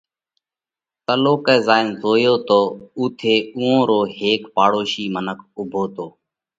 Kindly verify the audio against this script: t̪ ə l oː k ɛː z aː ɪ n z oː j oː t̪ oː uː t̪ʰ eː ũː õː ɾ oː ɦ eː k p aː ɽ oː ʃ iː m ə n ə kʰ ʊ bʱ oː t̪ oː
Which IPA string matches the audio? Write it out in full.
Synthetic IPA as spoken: t̪ ə l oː k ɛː z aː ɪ n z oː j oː t̪ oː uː t̪ʰ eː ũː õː ɾ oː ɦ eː k p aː ɽ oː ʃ iː m ə n ə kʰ ʊ bʱ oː t̪ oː